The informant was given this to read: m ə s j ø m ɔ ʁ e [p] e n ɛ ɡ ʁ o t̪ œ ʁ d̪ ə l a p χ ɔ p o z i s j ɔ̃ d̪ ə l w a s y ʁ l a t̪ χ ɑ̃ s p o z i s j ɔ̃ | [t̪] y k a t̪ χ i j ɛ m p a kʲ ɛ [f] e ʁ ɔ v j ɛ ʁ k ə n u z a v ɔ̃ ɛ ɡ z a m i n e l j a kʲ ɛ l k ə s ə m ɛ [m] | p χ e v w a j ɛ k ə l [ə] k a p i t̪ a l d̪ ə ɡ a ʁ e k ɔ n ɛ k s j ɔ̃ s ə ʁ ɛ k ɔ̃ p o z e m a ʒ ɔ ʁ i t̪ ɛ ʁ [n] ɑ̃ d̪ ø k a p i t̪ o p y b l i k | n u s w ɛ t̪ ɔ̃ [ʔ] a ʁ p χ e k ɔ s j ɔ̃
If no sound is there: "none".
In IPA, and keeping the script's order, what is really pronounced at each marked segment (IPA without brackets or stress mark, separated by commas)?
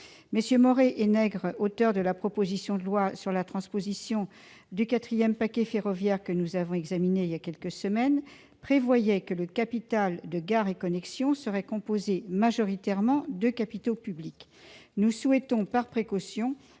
ʔ, d̪, f, n, ə, m, p